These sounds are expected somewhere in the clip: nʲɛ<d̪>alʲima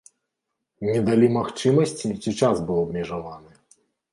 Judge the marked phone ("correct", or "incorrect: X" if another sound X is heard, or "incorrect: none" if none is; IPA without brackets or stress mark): correct